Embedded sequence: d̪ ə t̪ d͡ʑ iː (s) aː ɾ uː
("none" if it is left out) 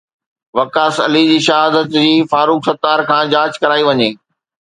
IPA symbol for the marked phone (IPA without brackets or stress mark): f